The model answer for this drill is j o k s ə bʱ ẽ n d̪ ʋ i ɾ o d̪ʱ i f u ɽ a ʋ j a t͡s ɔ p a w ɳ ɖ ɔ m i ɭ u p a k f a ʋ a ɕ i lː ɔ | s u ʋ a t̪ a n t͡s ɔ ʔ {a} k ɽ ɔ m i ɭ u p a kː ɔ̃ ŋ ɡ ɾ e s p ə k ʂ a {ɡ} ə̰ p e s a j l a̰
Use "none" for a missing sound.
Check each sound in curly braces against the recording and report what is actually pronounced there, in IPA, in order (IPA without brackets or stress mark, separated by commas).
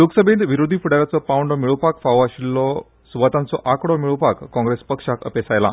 a, k